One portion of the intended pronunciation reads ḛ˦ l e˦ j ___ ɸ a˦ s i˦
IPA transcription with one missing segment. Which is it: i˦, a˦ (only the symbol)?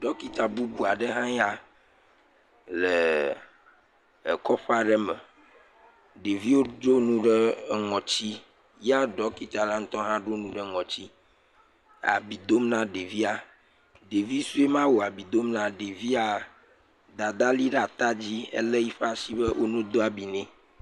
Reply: i˦